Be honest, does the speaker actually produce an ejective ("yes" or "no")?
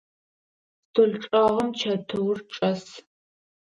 yes